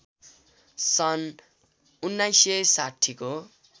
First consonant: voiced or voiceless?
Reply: voiceless